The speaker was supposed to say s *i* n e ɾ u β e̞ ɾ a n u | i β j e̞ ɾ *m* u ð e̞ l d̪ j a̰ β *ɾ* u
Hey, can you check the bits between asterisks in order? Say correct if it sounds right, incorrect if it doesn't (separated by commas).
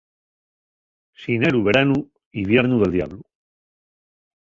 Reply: correct, incorrect, incorrect